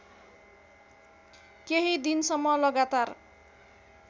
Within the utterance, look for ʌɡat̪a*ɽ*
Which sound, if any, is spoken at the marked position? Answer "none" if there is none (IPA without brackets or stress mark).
r